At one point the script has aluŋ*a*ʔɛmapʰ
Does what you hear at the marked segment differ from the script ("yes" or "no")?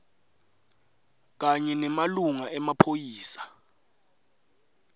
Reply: no